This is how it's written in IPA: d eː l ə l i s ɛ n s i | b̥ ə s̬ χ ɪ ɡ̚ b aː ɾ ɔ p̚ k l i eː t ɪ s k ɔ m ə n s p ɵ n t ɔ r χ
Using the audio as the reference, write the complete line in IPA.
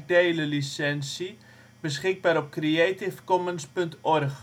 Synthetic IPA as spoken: d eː l ə l i s ɛ n s i | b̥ ə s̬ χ ɪ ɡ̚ b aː ɾ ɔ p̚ k r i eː t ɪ f k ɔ m ə n s p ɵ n t ɔ r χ